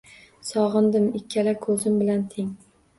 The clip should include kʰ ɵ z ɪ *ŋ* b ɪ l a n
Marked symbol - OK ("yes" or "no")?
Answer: no